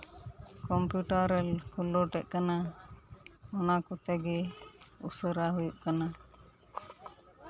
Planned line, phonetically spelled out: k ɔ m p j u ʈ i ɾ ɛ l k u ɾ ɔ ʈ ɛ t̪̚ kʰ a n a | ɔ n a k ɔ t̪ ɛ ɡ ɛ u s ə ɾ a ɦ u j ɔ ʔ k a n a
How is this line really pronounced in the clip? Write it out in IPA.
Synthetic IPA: k ɔ m p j u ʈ a ɾ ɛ l k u l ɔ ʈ ɛ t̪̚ k a n a | ɔ n a k ɔ t̪ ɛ ɡ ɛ u s ə ɾ a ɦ u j u ʔ k a n a